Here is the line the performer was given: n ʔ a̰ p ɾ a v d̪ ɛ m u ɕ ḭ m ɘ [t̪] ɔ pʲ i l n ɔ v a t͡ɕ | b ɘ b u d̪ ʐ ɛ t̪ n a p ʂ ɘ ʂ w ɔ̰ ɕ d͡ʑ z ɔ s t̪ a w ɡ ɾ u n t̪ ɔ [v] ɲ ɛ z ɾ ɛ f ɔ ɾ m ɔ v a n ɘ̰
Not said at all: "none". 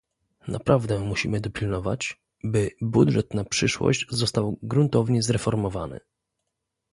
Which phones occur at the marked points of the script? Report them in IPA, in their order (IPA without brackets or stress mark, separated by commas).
d̪, v